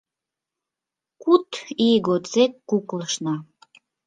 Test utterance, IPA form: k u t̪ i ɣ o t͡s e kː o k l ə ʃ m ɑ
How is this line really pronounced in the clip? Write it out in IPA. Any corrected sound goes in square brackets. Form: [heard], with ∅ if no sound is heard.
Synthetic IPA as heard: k u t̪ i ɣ o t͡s e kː [u] k l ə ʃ [n] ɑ